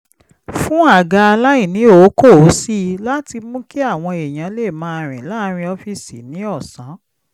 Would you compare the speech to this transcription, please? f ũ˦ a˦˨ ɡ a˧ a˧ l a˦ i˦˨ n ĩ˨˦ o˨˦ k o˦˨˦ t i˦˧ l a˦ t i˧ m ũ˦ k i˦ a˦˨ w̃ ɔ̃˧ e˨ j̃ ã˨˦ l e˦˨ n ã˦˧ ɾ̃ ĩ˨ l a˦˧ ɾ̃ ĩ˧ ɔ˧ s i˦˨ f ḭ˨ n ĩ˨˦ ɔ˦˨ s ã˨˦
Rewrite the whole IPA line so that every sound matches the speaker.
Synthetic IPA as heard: f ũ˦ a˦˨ ɡ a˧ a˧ l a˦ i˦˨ n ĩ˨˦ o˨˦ k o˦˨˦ s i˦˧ l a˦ t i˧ m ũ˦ k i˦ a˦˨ w̃ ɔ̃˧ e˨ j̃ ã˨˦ l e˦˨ m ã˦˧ ɾ̃ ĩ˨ l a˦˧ ɾ̃ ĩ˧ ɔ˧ f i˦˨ s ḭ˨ n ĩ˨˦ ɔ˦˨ s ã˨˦